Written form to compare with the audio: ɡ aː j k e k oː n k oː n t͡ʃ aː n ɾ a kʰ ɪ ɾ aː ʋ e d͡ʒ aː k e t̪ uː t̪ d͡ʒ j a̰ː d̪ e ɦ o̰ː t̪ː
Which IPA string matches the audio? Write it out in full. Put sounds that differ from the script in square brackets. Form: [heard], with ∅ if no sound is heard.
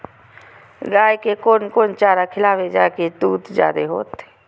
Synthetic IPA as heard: ɡ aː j k e k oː n k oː n t͡ʃ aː [∅] ɾ a kʰ ɪ [l] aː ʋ e d͡ʒ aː k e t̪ uː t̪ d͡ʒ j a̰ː d̪ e ɦ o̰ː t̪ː